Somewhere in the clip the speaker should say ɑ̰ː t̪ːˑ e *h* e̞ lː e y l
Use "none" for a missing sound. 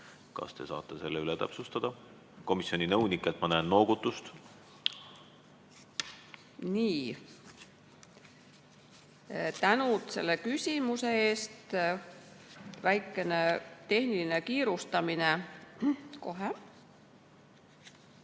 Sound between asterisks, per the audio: s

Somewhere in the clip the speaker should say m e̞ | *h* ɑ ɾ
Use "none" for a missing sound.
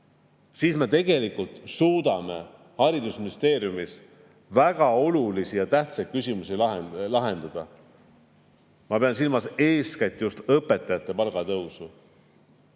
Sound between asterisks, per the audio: h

